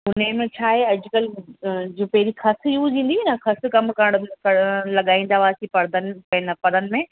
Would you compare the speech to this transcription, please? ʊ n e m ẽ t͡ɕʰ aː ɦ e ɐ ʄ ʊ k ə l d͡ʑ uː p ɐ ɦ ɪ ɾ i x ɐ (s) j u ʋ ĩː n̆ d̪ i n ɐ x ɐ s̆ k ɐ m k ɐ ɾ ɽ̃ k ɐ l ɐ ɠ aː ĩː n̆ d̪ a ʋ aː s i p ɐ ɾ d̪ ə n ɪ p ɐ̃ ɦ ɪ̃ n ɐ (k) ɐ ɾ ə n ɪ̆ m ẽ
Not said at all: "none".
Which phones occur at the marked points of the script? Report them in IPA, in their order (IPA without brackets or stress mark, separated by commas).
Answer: s, p